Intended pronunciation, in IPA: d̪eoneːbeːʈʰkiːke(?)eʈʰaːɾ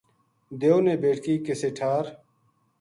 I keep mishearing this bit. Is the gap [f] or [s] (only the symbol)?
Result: s